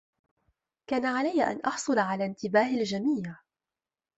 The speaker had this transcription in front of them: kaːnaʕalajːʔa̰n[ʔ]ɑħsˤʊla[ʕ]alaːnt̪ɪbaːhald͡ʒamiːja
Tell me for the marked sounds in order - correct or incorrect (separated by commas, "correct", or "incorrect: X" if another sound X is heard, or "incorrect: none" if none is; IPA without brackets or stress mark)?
correct, correct